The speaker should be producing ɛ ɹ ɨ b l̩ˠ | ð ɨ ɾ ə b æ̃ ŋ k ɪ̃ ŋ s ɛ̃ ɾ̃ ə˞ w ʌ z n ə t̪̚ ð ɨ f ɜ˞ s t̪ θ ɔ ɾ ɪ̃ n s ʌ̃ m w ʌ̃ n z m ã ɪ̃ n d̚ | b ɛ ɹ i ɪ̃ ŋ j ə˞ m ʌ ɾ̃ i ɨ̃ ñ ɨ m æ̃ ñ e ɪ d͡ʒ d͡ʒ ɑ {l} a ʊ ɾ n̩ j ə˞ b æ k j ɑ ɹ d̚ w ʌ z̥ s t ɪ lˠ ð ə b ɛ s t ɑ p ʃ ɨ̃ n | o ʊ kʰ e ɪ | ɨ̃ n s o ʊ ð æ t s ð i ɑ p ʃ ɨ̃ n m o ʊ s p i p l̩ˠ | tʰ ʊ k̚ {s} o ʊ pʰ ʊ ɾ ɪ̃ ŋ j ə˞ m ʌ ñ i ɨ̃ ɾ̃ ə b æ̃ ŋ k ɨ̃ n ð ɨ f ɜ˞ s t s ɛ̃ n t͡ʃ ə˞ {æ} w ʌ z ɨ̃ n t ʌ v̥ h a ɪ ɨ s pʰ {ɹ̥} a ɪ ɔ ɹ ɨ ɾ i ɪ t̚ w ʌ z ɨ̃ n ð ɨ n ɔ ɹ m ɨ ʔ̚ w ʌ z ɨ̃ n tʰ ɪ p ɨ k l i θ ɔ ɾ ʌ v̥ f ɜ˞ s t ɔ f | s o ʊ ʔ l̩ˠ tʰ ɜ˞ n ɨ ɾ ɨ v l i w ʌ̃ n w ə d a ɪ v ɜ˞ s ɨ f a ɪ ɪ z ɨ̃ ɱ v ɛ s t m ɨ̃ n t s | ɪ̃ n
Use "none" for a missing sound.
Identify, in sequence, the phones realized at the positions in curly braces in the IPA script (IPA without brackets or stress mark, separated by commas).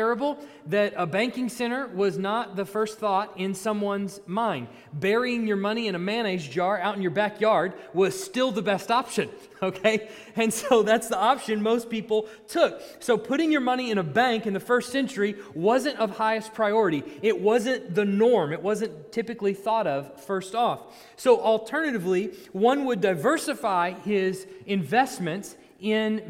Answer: ɹ, s, i, ɹ̥